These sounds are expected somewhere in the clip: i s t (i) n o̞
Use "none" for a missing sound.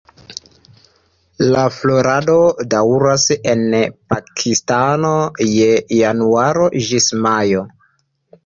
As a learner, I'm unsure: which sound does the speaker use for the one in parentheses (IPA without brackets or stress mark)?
a